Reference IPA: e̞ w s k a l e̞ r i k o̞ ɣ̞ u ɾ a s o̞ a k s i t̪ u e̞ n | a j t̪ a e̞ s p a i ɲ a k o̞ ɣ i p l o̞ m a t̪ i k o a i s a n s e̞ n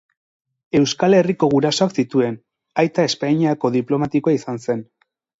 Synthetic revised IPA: e̞ w s k a l e̞ r i k o̞ ɣ̞ u ɾ a s o̞ a k s i t̪ u e̞ n | a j t̪ a e̞ s p a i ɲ a k o̞ ð i p l o̞ m a t̪ i k o a i s a n s e̞ n

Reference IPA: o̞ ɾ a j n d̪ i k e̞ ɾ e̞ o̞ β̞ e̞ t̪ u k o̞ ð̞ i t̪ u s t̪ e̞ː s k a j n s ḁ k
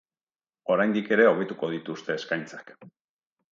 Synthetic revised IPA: o̞ ɾ a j n d̪ i k e̞ ɾ e̞ o̞ β̞ e̞ t̪ u k o̞ ð̞ i t̪ u s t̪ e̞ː s k a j n t͡s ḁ k

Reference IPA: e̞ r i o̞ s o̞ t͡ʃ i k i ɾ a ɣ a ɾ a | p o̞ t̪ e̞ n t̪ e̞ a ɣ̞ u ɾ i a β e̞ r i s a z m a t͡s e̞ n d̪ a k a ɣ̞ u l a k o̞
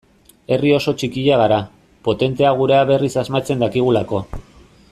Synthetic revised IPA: e̞ r i o̞ s o̞ t͡ʃ i k i ʎ a ɣ a ɾ a | p o̞ t̪ e̞ n t̪ e̞ a ɣ̞ u ɾ e a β e̞ r i s a z m a t͡s e̞ n d̪ a k i ɣ̞ u l a k o̞

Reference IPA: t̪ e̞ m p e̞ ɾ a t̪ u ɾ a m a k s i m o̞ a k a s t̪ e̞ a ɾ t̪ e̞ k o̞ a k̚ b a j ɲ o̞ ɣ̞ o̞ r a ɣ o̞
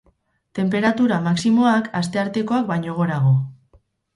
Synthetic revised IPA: t̪ e̞ m p e̞ ɾ a t̪ u ɾ a m a k s i m o̞ a k a s t̪ e̞ a ɾ t̪ e̞ k o̞ a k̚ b a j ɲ o̞ ɣ̞ o̞ ɾ a ɣ o̞

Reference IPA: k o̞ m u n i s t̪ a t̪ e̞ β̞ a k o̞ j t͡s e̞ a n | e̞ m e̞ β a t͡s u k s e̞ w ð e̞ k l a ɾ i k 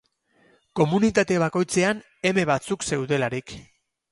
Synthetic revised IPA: k o̞ m u n i t̪ a t̪ e̞ β̞ a k o̞ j t͡s e̞ a n | e̞ m e̞ β a t͡s u k s e̞ w ð e̞ l a ɾ i k

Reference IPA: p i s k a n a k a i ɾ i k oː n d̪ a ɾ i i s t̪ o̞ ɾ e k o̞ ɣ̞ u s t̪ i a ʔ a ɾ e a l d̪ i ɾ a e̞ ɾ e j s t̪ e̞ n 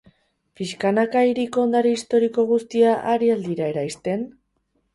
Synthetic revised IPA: p i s k a n a k a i ɾ i k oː n d̪ a ɾ i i s t̪ o̞ ɾ i k o̞ ɣ̞ u s t̪ i a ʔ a ɾ i a l d̪ i ɾ a e̞ ɾ a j s t̪ e̞ n

